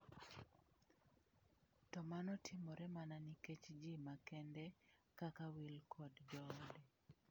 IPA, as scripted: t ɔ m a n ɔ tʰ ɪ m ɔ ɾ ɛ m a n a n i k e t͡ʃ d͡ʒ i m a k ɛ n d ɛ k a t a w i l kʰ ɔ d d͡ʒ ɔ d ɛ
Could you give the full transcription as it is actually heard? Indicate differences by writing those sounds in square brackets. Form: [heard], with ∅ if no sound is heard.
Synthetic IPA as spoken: t ɔ m a n ɔ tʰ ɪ m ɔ ɾ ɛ m a n a n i k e t͡ʃ d͡ʒ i m a k ɛ n d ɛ k a [k] a w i l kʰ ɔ d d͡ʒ ɔ d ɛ